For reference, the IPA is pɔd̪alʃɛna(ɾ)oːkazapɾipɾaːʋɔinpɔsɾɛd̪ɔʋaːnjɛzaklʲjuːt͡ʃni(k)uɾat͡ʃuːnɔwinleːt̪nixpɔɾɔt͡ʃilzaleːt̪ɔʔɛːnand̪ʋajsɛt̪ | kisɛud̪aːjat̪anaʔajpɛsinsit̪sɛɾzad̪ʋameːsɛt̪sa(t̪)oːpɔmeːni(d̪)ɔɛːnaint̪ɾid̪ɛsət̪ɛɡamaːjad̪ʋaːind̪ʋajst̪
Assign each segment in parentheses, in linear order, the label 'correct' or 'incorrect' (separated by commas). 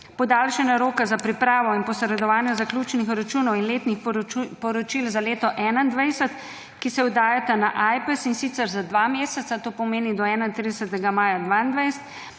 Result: correct, incorrect, correct, correct